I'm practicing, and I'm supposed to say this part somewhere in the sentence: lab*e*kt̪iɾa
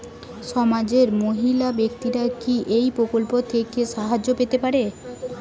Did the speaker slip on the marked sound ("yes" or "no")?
no